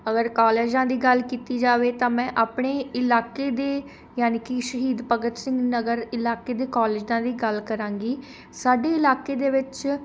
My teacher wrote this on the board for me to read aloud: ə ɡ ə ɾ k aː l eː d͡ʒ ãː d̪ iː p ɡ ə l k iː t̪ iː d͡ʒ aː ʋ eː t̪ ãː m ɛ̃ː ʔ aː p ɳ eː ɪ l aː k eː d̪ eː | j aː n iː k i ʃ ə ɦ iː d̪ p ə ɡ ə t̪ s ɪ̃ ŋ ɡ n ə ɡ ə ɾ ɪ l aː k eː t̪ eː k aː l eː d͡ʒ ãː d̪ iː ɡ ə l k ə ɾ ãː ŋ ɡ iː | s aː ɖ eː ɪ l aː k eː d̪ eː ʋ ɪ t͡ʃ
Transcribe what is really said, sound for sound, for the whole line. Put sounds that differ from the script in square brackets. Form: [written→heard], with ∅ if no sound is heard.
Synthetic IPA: ə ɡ ə ɾ k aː l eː d͡ʒ ãː d̪ iː [p→∅] ɡ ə l k iː t̪ iː d͡ʒ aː ʋ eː t̪ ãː m ɛ̃ː ʔ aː p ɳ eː ɪ l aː k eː d̪ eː | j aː n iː k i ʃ ə ɦ iː d̪ p ə ɡ ə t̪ s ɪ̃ ŋ ɡ n ə ɡ ə ɾ ɪ l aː k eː [t̪→d̪] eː k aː l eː d͡ʒ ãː d̪ iː ɡ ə l k ə ɾ ãː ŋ ɡ iː | s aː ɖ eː ɪ l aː k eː d̪ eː ʋ ɪ t͡ʃ